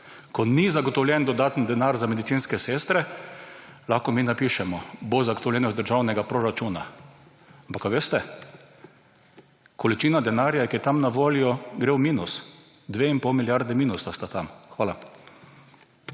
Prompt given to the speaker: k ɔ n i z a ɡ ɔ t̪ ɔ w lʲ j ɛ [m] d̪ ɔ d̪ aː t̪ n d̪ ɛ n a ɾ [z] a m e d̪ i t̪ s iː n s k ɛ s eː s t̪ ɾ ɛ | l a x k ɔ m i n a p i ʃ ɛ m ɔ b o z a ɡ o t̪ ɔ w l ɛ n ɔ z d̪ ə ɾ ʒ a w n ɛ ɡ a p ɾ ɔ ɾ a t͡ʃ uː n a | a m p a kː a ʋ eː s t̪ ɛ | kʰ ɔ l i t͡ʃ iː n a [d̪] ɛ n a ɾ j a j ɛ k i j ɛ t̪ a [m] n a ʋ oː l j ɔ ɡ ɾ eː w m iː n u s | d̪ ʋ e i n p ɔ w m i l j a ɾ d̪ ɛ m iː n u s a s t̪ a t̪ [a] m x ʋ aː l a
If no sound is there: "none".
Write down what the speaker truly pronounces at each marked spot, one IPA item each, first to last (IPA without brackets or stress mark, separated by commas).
n, z, d̪, m, a